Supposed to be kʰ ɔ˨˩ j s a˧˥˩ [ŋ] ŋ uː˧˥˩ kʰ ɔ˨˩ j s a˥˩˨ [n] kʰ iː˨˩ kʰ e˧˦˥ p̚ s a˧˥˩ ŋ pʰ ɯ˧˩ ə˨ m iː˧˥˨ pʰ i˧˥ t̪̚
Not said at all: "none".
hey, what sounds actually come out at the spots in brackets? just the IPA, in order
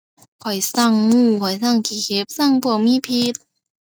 ŋ, ŋ

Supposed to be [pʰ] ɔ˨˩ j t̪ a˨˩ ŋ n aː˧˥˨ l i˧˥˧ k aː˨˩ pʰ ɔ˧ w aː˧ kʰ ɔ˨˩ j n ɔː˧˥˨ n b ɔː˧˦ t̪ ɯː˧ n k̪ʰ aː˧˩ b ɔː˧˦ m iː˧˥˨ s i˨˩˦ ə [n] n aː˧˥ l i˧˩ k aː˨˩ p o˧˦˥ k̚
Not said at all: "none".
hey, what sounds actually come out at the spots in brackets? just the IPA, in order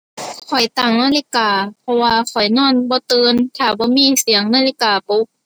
kʰ, ŋ

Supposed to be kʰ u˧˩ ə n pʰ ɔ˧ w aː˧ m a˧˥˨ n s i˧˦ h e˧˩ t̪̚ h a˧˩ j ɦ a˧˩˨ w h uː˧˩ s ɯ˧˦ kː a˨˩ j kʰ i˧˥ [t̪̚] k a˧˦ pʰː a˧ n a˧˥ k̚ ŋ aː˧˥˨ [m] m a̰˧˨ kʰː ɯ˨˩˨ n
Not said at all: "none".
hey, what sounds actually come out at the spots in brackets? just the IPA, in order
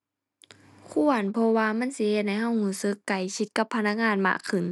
t̪̚, n

